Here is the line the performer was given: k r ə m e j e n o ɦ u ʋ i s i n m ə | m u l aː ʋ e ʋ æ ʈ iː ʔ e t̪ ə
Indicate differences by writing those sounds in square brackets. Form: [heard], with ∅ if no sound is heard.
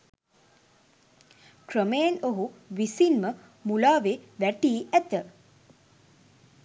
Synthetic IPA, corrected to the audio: k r ə m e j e n o ɦ u ʋ i s i n m ə | m u l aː ʋ e ʋ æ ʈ iː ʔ [æ] t̪ ə